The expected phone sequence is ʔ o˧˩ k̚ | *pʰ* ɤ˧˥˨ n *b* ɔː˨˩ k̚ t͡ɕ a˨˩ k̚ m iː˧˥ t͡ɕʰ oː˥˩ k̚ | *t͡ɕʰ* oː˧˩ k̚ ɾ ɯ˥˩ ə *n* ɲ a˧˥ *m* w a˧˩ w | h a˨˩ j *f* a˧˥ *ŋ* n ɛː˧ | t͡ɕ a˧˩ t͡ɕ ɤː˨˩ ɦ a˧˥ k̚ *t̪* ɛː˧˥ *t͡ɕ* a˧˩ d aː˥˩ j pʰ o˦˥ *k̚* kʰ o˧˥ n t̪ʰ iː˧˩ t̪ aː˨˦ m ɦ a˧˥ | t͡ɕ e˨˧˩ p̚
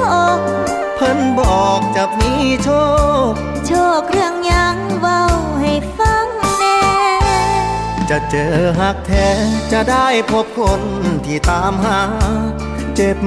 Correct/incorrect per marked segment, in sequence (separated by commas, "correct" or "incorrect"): correct, correct, correct, incorrect, incorrect, correct, correct, incorrect, correct, incorrect